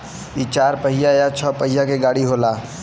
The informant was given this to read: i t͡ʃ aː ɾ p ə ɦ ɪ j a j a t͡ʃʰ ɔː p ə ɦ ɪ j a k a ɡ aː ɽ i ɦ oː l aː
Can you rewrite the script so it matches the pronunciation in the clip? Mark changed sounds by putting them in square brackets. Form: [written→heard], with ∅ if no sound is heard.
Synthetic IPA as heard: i t͡ʃ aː ɾ p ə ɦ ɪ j a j a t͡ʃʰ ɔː p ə ɦ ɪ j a k [a→e] ɡ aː ɽ i ɦ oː l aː

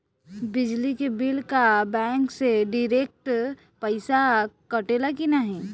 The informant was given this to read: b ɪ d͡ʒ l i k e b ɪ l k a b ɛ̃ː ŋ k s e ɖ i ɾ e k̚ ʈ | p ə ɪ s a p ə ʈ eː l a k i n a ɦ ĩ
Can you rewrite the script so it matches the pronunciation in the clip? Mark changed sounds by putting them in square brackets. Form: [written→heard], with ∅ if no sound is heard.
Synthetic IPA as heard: b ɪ d͡ʒ l i k e b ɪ l k a b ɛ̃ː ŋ k s e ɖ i ɾ e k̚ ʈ | p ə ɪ s a [p→k] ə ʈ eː l a k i n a ɦ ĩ

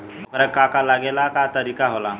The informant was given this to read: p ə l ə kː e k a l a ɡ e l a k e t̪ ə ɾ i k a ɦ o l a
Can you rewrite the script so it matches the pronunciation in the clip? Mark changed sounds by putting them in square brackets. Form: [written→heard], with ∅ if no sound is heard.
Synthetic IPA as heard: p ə [l→ɾ] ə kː [e→a] k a l a ɡ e l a k [e→a] t̪ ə ɾ i k a ɦ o l a

